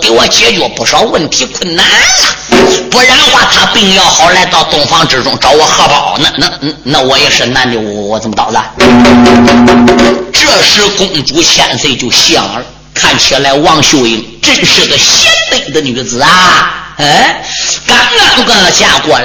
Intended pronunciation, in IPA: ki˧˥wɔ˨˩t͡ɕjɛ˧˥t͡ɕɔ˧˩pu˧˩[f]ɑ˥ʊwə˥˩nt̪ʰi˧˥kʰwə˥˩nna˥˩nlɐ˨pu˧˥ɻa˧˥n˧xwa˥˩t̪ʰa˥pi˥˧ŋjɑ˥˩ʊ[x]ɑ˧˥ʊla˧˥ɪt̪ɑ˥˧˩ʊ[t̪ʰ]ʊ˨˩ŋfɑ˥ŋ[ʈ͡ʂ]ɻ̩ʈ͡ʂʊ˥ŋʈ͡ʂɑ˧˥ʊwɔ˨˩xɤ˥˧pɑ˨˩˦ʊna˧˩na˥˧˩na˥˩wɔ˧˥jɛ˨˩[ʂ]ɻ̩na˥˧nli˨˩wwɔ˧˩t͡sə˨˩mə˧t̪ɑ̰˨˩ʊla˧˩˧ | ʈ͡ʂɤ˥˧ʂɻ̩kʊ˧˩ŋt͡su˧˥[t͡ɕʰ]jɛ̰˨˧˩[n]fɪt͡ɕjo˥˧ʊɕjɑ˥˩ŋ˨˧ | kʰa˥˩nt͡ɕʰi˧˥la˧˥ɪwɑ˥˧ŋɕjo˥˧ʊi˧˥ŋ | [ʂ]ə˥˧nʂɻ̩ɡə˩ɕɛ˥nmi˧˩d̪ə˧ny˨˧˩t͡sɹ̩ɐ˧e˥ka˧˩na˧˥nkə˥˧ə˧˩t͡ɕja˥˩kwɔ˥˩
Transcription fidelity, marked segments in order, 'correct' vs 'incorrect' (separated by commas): incorrect, correct, incorrect, correct, correct, correct, correct, incorrect